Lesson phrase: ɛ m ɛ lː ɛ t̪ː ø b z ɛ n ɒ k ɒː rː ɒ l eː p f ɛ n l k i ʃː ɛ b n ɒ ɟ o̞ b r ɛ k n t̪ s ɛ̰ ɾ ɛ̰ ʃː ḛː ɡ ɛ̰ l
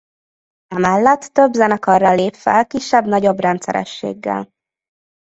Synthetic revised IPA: ɛ m ɛ lː ɛ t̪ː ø b z ɛ n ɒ k ɒ rː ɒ l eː p f ɛ l k i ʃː ɛ b n ɒ ɟ o̞ b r ɛ n t̪ s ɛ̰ ɾ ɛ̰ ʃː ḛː ɡː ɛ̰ l